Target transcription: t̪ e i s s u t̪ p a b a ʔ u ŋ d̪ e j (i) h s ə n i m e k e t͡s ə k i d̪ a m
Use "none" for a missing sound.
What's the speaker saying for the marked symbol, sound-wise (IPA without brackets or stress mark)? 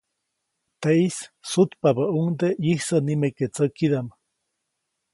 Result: i